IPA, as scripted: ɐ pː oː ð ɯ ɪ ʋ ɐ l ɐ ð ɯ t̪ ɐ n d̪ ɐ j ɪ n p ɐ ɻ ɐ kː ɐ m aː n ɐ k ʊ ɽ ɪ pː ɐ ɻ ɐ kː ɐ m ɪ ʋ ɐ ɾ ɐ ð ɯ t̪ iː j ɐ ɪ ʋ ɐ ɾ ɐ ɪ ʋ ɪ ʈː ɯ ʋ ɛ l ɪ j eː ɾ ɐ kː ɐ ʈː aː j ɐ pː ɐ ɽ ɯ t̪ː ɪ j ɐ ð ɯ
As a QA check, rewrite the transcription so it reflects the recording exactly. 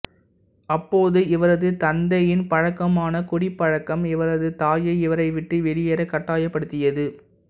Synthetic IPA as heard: ɐ pː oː ð ɯ ɪ ʋ ɐ ɾ ɐ ð ɯ t̪ ɐ n d̪ ɐ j ɪ n p ɐ ɻ ɐ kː ɐ m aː n ɐ k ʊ ɽ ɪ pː ɐ ɻ ɐ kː ɐ m ɪ ʋ ɐ ɾ ɐ ð ɯ t̪ aː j ɐ ɪ ʋ ɐ ɾ ɐ ɪ ʋ ɪ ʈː ɯ ʋ ɛ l ɪ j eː ɾ ɐ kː ɐ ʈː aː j ɐ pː ɐ ɽ ɯ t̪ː ɪ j ɐ ð ɯ